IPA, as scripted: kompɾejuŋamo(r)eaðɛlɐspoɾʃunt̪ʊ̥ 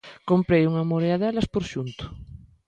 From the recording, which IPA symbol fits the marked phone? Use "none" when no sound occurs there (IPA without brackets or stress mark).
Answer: ɾ